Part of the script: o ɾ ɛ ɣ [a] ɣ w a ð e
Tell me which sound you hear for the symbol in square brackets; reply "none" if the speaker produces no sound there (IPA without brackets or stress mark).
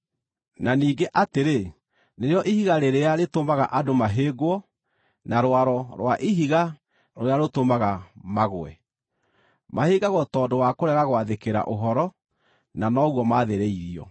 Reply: a